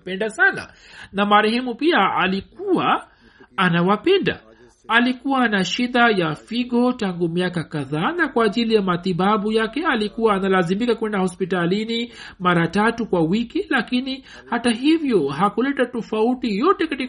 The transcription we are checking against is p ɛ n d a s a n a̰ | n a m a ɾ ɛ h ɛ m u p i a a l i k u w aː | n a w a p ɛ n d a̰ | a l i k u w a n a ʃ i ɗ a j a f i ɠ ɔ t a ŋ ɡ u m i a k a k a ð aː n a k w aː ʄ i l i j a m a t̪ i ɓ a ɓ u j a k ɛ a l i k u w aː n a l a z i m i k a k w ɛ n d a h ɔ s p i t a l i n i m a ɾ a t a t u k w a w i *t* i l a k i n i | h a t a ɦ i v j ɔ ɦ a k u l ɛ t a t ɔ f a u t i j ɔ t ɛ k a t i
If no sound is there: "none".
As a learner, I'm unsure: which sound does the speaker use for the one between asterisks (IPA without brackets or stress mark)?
k